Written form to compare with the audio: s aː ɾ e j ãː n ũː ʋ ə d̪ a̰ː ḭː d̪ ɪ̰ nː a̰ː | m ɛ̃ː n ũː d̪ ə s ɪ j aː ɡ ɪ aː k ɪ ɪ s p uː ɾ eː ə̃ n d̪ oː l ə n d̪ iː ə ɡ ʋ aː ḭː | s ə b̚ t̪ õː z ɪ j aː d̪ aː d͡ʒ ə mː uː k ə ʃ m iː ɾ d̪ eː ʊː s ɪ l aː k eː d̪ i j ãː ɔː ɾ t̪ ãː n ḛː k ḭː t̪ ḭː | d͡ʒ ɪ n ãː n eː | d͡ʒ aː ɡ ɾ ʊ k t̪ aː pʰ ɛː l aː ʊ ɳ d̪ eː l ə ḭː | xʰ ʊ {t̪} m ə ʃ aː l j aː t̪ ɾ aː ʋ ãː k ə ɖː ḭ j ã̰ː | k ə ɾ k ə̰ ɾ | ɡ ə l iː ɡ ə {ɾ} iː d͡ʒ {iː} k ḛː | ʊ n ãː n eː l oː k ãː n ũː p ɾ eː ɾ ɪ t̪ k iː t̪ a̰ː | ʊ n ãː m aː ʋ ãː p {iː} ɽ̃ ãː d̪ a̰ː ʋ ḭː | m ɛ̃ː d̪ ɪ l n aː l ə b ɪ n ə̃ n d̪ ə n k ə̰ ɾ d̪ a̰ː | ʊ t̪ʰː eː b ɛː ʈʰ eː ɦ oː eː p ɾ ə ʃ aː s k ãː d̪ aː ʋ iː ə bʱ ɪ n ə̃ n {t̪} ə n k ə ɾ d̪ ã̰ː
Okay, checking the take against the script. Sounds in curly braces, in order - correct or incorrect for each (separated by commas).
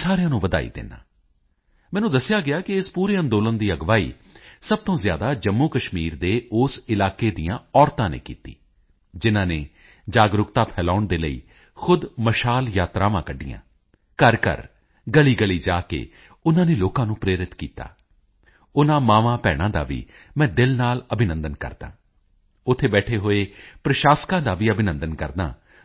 incorrect, incorrect, incorrect, incorrect, incorrect